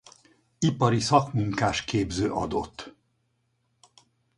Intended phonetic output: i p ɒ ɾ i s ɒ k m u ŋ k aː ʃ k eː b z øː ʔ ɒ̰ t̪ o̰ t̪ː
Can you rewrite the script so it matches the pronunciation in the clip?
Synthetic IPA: i p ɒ ɾ i s ɒ k m u ŋ k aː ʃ k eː b z øː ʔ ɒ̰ d̪ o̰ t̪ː